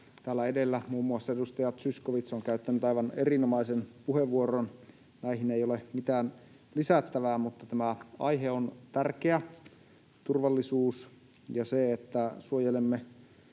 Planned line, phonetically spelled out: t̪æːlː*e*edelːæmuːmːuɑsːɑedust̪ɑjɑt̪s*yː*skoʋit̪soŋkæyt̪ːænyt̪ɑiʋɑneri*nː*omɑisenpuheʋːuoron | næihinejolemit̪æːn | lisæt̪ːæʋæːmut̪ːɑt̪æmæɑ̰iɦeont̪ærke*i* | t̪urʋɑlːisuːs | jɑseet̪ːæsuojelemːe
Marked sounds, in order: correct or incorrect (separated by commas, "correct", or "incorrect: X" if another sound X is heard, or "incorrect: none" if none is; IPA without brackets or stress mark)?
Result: incorrect: æ, incorrect: y, incorrect: n, incorrect: æ